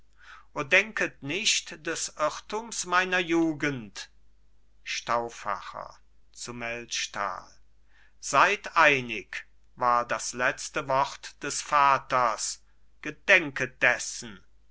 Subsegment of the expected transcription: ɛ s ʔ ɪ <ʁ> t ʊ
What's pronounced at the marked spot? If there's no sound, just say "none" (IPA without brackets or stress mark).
ʁ